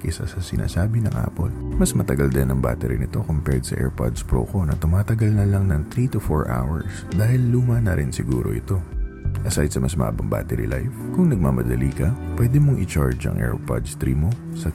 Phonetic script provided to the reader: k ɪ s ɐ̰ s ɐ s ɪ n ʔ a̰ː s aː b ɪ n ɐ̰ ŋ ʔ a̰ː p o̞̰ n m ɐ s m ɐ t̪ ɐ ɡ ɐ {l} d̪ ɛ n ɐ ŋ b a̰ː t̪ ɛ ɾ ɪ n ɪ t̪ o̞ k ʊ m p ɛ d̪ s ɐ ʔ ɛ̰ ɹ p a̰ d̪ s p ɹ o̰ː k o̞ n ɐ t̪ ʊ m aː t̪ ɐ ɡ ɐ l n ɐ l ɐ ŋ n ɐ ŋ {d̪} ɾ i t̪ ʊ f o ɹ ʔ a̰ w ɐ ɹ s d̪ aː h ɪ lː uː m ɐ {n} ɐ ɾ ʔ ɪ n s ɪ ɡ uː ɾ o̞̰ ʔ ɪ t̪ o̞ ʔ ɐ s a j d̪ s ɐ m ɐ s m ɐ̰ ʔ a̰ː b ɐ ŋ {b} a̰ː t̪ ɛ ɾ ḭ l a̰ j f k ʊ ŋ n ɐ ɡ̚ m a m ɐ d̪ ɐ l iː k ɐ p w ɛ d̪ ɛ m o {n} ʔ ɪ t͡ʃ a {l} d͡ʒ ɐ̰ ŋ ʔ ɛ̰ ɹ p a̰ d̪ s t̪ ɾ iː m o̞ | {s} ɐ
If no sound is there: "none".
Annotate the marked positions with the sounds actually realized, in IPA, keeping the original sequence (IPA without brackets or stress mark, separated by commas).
l, t̪, n, b, ŋ, ɹ, s